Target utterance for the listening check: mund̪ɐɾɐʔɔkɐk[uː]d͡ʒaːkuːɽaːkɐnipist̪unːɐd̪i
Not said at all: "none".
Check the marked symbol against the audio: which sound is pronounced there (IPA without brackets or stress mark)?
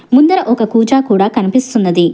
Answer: uː